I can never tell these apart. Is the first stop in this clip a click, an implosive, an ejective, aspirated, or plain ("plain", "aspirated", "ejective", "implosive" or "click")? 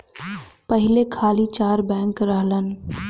plain